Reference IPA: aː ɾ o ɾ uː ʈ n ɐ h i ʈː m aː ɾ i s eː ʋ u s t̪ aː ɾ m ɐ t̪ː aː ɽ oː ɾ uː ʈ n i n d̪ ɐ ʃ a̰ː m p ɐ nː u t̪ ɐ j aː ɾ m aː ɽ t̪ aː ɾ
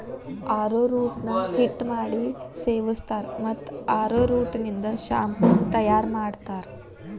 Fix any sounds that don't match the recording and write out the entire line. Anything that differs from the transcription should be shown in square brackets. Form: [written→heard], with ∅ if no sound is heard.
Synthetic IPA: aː ɾ o ɾ uː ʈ n ɐ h i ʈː m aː [ɾ→ɽ] i s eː ʋ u s t̪ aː ɾ m ɐ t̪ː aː [ɽ→ɾ] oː ɾ uː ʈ n i n d̪ ɐ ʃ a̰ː m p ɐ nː u t̪ ɐ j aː ɾ m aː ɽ t̪ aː ɾ